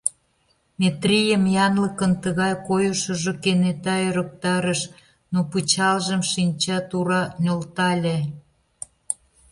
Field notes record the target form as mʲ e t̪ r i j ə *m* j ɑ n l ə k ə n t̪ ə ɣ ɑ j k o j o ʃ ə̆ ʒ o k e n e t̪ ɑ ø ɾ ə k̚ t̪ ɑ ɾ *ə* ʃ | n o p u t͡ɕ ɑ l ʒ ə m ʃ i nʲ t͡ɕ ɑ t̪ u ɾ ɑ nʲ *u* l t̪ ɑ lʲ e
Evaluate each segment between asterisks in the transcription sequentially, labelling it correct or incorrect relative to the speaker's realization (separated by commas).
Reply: correct, correct, incorrect